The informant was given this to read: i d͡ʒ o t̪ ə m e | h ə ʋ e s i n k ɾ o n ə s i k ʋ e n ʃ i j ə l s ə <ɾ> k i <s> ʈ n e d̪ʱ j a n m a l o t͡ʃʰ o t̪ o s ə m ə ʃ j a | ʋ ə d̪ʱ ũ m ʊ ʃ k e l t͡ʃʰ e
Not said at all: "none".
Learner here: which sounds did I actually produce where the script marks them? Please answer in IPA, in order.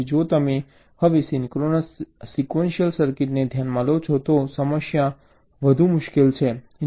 ɾ, none

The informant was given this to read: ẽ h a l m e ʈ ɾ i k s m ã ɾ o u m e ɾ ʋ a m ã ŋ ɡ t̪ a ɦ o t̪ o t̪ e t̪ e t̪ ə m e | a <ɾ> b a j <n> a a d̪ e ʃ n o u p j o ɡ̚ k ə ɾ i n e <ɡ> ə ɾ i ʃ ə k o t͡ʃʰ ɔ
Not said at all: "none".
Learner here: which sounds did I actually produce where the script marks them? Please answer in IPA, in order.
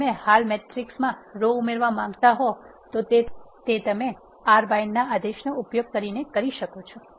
ɾ, nː, k

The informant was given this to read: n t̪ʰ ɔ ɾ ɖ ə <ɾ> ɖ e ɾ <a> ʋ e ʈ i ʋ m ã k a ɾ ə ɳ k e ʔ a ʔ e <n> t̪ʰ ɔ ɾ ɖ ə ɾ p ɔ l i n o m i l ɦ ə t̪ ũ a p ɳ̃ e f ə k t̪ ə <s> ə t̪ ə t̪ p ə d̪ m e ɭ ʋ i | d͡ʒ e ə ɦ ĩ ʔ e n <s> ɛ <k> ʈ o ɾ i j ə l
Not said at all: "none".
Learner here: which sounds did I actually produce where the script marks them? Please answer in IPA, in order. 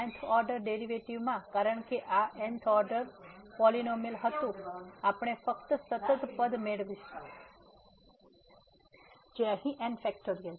ɾ, i, n, s, f, k

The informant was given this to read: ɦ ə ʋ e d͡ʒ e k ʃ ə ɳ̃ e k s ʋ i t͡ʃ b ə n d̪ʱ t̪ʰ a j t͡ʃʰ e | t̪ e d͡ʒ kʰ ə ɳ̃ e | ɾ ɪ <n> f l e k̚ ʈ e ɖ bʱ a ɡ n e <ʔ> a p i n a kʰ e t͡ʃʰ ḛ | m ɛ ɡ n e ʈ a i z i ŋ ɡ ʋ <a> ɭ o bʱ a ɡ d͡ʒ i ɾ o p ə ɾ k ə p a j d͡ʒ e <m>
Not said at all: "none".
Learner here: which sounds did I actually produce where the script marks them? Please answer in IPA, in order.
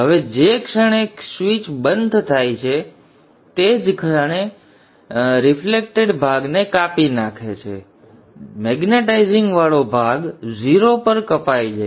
none, k, a, none

